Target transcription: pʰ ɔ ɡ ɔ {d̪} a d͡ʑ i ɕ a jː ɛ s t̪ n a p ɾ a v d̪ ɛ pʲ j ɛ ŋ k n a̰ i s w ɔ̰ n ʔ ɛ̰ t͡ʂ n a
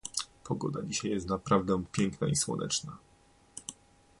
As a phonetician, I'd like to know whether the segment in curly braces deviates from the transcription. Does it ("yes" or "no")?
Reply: no